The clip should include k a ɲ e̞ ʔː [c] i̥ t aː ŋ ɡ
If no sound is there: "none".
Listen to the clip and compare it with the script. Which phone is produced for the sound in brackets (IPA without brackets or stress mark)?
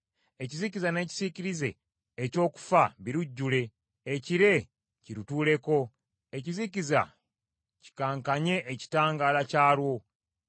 c